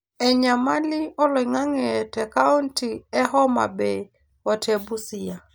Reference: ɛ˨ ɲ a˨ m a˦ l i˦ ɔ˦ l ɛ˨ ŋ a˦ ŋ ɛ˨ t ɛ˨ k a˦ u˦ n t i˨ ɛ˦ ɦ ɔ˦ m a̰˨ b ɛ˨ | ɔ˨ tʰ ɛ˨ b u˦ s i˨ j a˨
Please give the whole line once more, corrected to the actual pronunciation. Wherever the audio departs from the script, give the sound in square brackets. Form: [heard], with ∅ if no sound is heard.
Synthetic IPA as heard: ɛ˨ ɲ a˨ m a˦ l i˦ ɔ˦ l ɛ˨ ŋ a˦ ŋ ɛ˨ t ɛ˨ k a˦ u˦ n t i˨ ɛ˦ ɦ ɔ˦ m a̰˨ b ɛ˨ | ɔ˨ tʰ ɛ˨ b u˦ s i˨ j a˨